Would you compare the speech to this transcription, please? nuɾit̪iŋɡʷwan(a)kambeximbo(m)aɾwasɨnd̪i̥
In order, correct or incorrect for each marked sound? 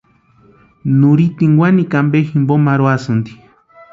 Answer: incorrect, correct

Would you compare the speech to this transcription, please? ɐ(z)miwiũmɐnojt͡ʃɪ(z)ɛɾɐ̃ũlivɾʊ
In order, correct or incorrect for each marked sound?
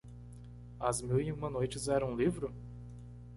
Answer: correct, correct

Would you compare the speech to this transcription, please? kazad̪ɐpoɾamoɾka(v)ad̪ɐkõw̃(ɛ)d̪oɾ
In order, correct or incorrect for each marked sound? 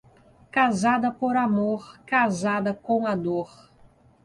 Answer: incorrect, incorrect

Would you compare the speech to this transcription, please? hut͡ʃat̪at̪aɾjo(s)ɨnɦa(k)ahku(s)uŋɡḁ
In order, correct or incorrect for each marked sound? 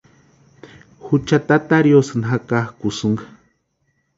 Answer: correct, correct, correct

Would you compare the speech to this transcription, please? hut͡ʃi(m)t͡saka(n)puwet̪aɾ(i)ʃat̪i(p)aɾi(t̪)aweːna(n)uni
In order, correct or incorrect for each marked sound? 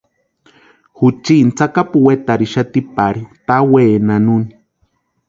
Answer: incorrect, incorrect, correct, correct, correct, correct

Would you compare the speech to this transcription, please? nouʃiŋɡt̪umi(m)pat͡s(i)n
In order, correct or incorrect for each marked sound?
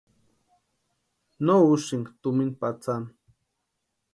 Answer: incorrect, incorrect

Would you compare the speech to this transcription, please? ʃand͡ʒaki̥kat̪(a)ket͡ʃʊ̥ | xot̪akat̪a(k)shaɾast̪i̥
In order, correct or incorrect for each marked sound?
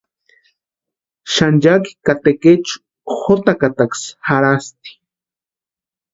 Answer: incorrect, correct

